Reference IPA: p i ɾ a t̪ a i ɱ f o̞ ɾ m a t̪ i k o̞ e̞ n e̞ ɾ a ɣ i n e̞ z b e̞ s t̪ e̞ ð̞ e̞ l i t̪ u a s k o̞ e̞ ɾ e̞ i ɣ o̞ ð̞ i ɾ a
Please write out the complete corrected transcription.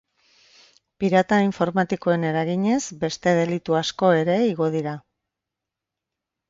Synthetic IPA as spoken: p i ɾ a t̪ a i ɱ f o̞ ɾ m a t̪ i k o̞ e̞ n e̞ ɾ a ɣ i ɲ e̞ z b e̞ s t̪ e̞ ð̞ e̞ l i t̪ u a s k o̞ e̞ ɾ e̞ i ɣ o̞ ð̞ i ɾ a

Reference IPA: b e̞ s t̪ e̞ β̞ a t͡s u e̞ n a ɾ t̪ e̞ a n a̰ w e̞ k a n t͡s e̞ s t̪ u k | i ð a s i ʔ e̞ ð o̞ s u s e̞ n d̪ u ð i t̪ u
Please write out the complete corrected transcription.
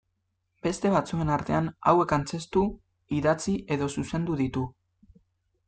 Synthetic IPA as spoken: b e̞ s t̪ e̞ β̞ a t͡s u e̞ n a ɾ t̪ e̞ a n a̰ w e̞ k a n t͡s e̞ s t̪ u | i ð a t͡s i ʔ e̞ ð o̞ s u s e̞ n d̪ u ð i t̪ u

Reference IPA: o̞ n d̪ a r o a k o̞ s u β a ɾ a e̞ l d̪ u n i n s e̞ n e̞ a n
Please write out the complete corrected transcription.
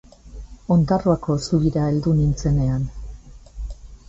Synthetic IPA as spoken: o̞ n d̪ a r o a k o̞ s u β i ɾ a e̞ l d̪ u n i n t͡s e̞ n e̞ a n

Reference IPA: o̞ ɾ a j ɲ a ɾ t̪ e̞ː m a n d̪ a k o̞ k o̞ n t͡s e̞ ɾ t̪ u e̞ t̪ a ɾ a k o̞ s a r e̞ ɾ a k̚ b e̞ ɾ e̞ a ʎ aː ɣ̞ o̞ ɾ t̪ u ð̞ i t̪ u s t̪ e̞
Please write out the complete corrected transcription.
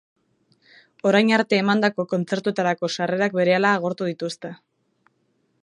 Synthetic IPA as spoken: o̞ ɾ a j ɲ a ɾ t̪ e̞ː m a n d̪ a k o̞ k o̞ n t͡s e̞ ɾ t̪ u e̞ t̪ a ɾ a k o̞ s a r e̞ ɾ a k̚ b e̞ ɾ e̞ a l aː ɣ̞ o̞ ɾ t̪ u ð̞ i t̪ u s t̪ e̞

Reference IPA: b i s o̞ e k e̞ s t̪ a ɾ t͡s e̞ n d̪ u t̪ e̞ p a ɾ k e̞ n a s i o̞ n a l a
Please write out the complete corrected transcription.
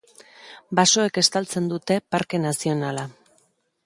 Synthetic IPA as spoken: b a s o̞ e k e̞ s t̪ a l t͡s e̞ n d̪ u t̪ e̞ p a ɾ k e̞ n a s i o̞ n a l a

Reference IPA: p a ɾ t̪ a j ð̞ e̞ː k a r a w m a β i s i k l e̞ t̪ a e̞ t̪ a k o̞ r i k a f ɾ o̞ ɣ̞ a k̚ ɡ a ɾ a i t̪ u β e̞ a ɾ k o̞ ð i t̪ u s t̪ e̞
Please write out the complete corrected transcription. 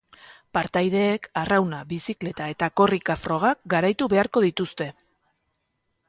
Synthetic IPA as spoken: p a ɾ t̪ a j ð̞ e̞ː k a r a w n a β i s i k l e̞ t̪ a e̞ t̪ a k o̞ r i k a f ɾ o̞ ɣ̞ a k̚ ɡ a ɾ a j t̪ u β e̞ a ɾ k o̞ ð i t̪ u s t̪ e̞

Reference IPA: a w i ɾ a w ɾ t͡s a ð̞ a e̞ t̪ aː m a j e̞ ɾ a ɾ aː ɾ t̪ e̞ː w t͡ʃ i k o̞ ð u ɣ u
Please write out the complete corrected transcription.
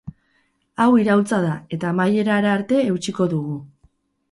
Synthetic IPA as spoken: a w i ɾ a w l t͡s a ð̞ a e̞ t̪ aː m a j e̞ ɾ a ɾ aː ɾ t̪ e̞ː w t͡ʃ i k o̞ ð u ɣ u

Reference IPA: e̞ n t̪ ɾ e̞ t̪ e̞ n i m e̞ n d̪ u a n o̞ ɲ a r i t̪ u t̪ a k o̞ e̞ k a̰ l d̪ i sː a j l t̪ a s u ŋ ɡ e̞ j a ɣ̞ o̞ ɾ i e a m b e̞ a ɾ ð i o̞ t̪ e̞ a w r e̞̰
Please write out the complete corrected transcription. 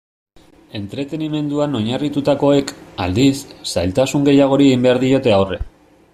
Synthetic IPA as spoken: e̞ n t̪ ɾ e̞ t̪ e̞ n i m e̞ n d̪ u a n o̞ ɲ a r i t̪ u t̪ a k o̞ e̞ k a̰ l d̪ i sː a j l t̪ a s u ŋ ɡ e̞ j a ɣ̞ o̞ ɾ i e i m b e̞ a ɾ ð i o̞ t̪ e̞ a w r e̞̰

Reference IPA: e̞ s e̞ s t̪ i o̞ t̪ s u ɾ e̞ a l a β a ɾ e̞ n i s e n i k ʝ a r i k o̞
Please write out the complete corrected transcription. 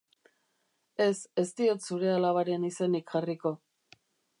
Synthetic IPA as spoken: e̞ s e̞ s t̪ i o̞ t̪ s u ɾ e̞ a l a β a ɾ e̞ n i s e n i k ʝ a r i k o̞

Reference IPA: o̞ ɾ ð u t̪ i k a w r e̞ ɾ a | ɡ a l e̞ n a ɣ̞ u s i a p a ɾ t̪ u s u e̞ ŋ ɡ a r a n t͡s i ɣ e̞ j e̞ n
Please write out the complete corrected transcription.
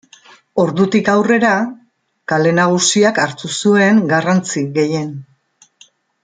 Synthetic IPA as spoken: o̞ ɾ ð u t̪ i k a w r e̞ ɾ a | k a l e̞ n a ɣ̞ u s i a k a ɾ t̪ u s u e̞ ŋ ɡ a r a n t͡s i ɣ e̞ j e̞ n

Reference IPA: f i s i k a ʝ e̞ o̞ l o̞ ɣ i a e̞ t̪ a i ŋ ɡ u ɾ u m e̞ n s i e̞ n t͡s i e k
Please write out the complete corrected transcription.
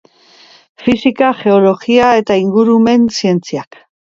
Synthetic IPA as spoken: f i s i k a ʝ e̞ o̞ l o̞ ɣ i a e̞ t̪ a i ŋ ɡ u ɾ u m e̞ n s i e̞ n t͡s i a k

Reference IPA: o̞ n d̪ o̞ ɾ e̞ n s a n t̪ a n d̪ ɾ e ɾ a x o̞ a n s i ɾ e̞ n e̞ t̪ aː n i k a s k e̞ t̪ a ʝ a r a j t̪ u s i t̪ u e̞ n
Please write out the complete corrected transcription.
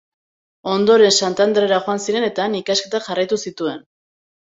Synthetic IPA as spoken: o̞ n d̪ o̞ ɾ e̞ n s a n t̪ a n d̪ ɾ e ɾ a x o̞ a n s i ɾ e̞ n e̞ t̪ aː n i k a s k e̞ t̪ a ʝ a r a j t̪ u s i t̪ u e̞ n

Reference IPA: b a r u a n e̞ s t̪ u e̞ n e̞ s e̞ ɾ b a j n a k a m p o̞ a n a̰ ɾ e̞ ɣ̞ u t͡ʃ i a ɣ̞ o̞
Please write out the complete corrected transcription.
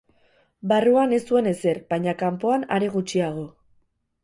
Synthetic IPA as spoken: b a r u a n e̞ s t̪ u e̞ n e̞ s e̞ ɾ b a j ɲ a k a m p o̞ a n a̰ ɾ e̞ ɣ̞ u t͡ʃ i a ɣ̞ o̞

